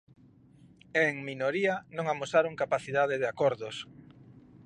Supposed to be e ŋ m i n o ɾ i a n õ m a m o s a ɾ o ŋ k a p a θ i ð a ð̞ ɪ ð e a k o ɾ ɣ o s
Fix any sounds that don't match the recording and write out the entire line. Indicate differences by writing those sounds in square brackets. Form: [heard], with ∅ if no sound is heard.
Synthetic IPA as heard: e ŋ m i n o ɾ i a n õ [ŋ] a m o s a ɾ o ŋ k a p a θ i ð a ð̞ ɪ ð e a k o ɾ [ð] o s